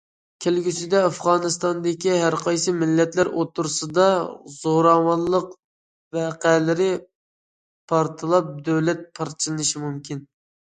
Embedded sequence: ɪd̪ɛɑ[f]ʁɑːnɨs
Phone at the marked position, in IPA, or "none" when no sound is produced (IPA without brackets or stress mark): f